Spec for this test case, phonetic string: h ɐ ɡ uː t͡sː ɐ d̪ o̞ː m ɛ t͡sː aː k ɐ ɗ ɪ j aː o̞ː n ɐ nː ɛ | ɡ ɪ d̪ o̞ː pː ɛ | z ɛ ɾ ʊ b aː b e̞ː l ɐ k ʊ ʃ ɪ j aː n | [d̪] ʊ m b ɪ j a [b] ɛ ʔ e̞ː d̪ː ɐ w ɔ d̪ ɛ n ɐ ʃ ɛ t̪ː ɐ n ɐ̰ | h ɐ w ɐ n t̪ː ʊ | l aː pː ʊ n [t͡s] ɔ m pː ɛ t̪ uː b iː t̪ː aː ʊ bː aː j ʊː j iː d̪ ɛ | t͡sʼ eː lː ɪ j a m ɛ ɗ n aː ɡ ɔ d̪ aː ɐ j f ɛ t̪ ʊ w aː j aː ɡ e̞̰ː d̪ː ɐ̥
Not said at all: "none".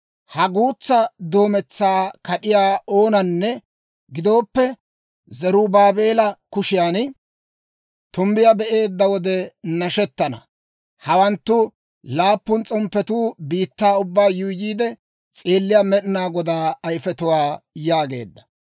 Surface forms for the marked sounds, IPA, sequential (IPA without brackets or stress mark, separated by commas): t̪, b, t͡sʼ